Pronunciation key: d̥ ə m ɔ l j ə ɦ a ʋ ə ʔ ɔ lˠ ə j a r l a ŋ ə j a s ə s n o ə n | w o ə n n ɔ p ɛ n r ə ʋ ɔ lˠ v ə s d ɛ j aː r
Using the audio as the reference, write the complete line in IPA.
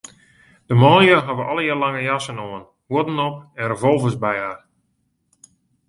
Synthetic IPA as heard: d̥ ə m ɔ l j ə ɦ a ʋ ə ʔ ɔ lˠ ə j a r l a ŋ ə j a s ə n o ə n | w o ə d n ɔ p ɛ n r ə v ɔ lˠ v ə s b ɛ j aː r